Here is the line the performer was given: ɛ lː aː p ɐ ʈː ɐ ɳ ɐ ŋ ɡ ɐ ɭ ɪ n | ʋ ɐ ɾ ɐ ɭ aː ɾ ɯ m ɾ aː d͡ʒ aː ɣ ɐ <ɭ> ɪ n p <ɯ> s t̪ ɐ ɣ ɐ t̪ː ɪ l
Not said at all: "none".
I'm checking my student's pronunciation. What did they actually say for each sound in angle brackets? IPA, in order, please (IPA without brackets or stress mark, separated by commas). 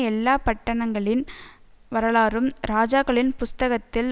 ɭ, ʊ